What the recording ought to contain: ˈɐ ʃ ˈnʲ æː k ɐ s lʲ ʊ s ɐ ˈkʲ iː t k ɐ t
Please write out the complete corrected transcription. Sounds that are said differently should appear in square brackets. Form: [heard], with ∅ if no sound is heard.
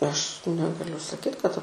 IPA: ˈɐ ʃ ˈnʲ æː [ɡ] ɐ [∅] lʲ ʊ s ɐ ˈkʲ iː t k ɐ t